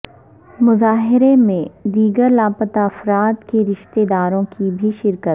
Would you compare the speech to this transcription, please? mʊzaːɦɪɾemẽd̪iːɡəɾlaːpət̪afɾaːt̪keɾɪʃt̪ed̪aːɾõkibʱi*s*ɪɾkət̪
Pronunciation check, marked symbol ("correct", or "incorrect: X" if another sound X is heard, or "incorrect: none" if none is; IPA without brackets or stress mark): incorrect: ʃ